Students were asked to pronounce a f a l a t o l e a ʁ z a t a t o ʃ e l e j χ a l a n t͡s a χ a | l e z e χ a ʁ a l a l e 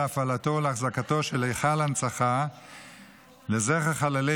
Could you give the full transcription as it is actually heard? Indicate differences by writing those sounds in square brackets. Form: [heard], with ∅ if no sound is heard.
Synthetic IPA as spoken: a f a l a t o l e a [χ] z a [k] a t o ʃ e l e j χ a l a n t͡s a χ a | l e z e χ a [χ] a l a l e